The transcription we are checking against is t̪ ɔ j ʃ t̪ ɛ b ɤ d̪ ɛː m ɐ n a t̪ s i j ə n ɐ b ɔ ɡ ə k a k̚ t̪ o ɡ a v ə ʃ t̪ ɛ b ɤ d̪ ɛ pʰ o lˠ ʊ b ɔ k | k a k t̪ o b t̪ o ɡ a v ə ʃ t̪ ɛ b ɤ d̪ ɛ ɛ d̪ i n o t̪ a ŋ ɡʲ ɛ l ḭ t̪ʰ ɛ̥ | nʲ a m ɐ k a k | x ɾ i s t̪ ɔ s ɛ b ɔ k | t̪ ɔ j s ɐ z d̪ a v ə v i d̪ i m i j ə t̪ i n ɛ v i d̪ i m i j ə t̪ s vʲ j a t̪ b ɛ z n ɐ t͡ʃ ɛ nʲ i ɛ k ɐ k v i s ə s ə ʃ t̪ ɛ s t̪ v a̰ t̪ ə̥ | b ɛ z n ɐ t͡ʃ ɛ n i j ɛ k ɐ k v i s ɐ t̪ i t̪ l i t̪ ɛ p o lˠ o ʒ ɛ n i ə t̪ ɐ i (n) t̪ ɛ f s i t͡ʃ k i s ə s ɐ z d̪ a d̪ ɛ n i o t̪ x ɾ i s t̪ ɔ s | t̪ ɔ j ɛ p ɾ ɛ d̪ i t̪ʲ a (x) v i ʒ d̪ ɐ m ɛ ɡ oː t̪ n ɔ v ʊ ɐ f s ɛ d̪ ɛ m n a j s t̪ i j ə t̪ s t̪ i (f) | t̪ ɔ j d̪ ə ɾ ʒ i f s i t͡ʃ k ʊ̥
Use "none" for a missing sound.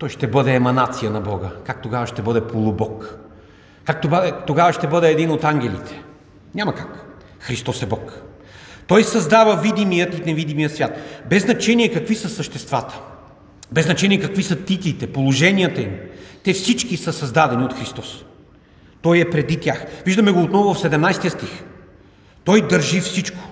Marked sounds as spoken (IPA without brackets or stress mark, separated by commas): m, x, x